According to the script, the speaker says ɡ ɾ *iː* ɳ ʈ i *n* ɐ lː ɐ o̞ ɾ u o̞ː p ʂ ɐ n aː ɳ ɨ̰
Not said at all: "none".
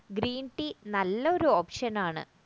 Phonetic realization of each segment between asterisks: iː, n

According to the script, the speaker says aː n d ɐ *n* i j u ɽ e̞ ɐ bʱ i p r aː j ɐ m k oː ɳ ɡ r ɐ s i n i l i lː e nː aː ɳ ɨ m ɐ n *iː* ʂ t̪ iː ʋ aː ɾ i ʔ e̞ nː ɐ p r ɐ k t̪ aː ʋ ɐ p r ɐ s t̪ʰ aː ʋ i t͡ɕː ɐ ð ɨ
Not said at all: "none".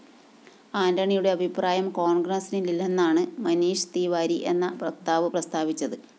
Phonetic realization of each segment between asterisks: ɳ, iː

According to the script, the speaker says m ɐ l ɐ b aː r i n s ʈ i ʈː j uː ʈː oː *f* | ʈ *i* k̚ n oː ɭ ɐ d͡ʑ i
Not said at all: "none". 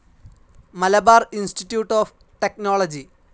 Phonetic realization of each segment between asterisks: f, e

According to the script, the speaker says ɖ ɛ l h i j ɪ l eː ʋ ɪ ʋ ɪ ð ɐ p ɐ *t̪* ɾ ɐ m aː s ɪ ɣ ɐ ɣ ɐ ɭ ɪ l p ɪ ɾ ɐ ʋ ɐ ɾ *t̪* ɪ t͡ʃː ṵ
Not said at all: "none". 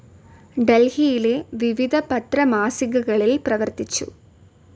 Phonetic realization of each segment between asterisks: t̪, t̪

